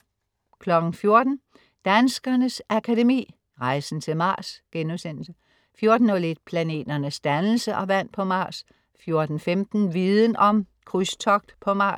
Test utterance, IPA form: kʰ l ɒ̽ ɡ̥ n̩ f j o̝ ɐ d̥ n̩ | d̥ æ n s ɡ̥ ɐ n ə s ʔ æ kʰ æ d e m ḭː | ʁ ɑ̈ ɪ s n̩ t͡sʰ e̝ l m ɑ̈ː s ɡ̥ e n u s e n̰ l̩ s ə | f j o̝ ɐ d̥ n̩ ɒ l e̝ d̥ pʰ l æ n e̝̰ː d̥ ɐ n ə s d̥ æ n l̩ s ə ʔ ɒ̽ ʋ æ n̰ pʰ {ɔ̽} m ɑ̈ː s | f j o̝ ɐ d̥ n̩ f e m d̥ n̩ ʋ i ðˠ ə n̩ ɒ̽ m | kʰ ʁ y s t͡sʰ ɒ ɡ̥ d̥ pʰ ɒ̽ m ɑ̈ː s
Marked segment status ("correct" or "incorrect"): incorrect